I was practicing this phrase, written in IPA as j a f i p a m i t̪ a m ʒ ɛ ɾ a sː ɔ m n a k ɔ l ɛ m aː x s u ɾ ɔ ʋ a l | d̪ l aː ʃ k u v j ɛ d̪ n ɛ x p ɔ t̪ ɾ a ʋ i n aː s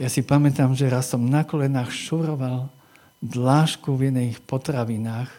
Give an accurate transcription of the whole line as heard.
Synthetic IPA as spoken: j a s i p a m ɛ t̪ a m ʒ ɛ ɾ a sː ɔ m n a k ɔ l ɛ n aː x ʃ u ɾ ɔ ʋ a l | d̪ l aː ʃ k u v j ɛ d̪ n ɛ x p ɔ t̪ ɾ a ʋ i n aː x